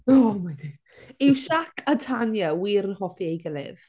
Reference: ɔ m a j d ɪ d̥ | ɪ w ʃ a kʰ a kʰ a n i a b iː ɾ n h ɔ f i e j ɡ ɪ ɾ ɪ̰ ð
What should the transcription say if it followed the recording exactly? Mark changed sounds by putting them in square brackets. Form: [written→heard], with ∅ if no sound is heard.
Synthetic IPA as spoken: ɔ m a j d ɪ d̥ | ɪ w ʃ a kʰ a [kʰ→tʰ] a n [i→j] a [b→w] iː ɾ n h ɔ f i e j ɡ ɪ [ɾ→l] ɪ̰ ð